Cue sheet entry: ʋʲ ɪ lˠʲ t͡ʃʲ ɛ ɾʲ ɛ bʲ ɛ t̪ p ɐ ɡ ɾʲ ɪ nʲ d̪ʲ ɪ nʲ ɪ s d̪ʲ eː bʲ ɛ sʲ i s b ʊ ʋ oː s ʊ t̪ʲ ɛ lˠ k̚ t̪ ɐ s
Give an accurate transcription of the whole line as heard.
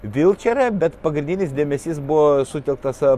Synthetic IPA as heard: ʋʲ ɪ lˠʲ t͡ʃʲ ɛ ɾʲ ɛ bʲ ɛ t̪ p ɐ ɡ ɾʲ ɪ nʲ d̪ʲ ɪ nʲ ɪ s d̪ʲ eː mʲ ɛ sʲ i s b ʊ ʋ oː s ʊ t̪ʲ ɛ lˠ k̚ t̪ ɐ s